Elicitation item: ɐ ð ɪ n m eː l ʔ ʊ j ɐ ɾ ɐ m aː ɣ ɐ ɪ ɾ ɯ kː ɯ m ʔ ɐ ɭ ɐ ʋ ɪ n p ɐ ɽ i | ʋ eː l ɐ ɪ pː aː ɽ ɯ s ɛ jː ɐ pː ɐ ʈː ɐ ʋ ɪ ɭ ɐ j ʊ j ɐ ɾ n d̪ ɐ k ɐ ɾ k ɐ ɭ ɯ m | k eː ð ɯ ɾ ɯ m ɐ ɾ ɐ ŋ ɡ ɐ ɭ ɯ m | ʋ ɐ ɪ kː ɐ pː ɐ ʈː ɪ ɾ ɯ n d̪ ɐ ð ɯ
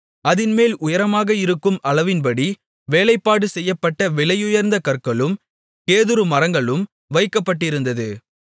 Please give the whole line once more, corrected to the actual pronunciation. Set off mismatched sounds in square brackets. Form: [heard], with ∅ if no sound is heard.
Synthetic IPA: ɐ ð ɪ n m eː l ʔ ʊ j ɐ ɾ ɐ m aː ɣ ɐ ɪ ɾ ɯ kː ɯ m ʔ ɐ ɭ ɐ ʋ ɪ n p ɐ ɽ i | ʋ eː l ɐ ɪ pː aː ɽ ɯ s ɛ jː ɐ pː ɐ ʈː ɐ ʋ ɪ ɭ ɐ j ʊ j ɐ ɾ n d̪ ɐ k ɐ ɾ k ɐ ɭ ɯ m | k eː ð ɯ ɾ ɯ m ɐ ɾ ɐ ŋ ɡ ɐ ɭ ɯ m | ʋ ɐ ɪ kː ɐ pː ɐ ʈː ɪ ɾ ɯ n d̪ ɐ ð ɯ

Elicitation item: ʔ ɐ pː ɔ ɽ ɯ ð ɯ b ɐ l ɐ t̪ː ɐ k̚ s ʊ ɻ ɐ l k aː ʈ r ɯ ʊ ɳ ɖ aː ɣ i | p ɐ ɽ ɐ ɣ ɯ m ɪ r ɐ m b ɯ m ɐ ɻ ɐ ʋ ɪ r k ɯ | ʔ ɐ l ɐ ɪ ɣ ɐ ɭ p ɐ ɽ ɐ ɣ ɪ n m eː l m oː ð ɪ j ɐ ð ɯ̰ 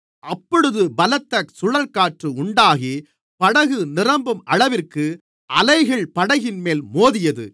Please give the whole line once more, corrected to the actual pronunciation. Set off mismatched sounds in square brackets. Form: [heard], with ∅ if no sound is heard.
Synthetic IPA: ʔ ɐ pː ɔ ɽ ɯ ð ɯ b ɐ l ɐ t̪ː ɐ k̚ s ʊ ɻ ɐ l k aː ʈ r ɯ ʊ ɳ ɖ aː ɣ i | p ɐ ɽ ɐ ɣ ɯ [n] ɪ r ɐ m b ɯ m ɐ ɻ ɐ ʋ ɪ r k ɯ | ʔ ɐ l ɐ ɪ ɣ ɐ ɭ p ɐ ɽ ɐ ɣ ɪ n m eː l m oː ð ɪ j ɐ ð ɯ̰

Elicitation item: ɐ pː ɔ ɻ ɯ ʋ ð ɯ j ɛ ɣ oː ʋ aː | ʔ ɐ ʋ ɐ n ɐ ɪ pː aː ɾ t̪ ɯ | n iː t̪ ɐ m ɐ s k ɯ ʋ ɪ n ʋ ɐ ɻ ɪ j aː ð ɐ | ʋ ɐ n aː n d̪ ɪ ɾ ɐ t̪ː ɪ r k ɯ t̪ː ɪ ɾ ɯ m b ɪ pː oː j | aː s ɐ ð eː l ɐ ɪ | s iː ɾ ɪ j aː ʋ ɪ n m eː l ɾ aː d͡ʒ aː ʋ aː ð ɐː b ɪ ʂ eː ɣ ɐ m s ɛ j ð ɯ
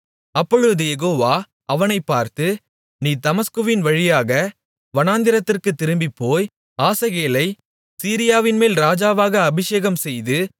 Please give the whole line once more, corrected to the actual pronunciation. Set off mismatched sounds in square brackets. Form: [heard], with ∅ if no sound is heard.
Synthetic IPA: ɐ pː ɔ ɻ ɯ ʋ ð ɯ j ɛ ɣ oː ʋ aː | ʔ ɐ ʋ ɐ n ɐ ɪ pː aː ɾ t̪ ɯ | n iː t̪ ɐ m ɐ s k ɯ ʋ ɪ n ʋ ɐ ɻ ɪ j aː [ɣ] ɐ | ʋ ɐ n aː n d̪ ɪ ɾ ɐ t̪ː ɪ r k ɯ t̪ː ɪ ɾ ɯ m b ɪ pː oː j | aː s ɐ [ɣ] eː l ɐ ɪ | s iː ɾ ɪ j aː ʋ ɪ n m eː l ɾ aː d͡ʒ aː ʋ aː [ɣ] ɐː b ɪ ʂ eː ɣ ɐ m s ɛ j ð ɯ

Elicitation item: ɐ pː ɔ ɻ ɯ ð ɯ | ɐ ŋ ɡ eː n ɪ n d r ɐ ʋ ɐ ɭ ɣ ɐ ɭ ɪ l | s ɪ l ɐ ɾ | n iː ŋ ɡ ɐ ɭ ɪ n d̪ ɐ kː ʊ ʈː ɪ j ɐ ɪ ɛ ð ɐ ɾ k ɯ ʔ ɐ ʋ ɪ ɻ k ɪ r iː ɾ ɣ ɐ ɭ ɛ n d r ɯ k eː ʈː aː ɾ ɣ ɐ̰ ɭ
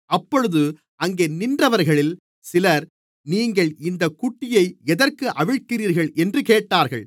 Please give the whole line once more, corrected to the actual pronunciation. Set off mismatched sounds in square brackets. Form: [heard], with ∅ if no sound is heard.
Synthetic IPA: ɐ pː ɔ ɻ ɯ ð ɯ | ɐ ŋ ɡ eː n ɪ n d r ɐ ʋ ɐ [ɾ] ɣ ɐ ɭ ɪ l | s ɪ l ɐ ɾ | n iː ŋ ɡ ɐ ɭ ɪ n d̪ ɐ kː ʊ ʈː ɪ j ɐ ɪ ɛ ð ɐ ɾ k ɯ ʔ ɐ ʋ ɪ ɻ k ɪ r iː ɾ ɣ ɐ ɭ ɛ n d r ɯ k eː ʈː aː ɾ ɣ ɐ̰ ɭ

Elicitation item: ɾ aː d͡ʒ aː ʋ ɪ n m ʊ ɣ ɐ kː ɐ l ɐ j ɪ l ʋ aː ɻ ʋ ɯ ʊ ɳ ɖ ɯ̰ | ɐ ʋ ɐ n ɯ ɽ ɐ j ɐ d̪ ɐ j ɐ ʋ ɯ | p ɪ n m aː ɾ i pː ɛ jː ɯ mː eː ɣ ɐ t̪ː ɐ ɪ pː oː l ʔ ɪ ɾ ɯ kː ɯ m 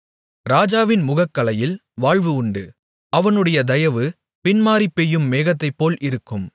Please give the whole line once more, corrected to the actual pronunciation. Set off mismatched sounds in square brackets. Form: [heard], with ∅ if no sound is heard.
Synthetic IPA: ɾ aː d͡ʒ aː ʋ ɪ n m ʊ ɣ ɐ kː ɐ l ɐ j ɪ l ʋ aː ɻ ʋ ɯ ʊ ɳ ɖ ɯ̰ | ɐ ʋ ɐ n ɯ ɽ ɐ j ɐ d̪ ɐ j ɐ ʋ ɯ | p ɪ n m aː ɾ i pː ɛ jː ɯ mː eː ɣ ɐ t̪ː ɐ ɪ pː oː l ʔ ɪ ɾ ɯ kː ɯ m

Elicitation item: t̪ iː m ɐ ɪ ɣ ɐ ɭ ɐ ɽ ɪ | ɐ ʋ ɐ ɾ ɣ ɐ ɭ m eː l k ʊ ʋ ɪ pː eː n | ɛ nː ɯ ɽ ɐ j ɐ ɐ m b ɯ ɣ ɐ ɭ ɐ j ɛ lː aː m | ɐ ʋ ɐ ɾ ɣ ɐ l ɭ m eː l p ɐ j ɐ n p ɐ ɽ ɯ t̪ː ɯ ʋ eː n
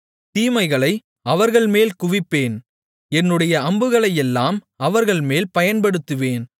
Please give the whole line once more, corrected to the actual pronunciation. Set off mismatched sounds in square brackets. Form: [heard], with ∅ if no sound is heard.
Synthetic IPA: t̪ iː m ɐ ɪ ɣ ɐ ɭ ɐ [∅] ɪ | ɐ ʋ ɐ ɾ ɣ ɐ ɭ m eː l k ʊ ʋ ɪ pː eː n | ɛ nː ɯ ɽ ɐ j ɐ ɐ m b ɯ ɣ ɐ ɭ ɐ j ɛ lː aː m | ɐ ʋ ɐ ɾ ɣ ɐ [∅] ɭ m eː l p ɐ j ɐ n p ɐ ɽ ɯ t̪ː ɯ ʋ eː n

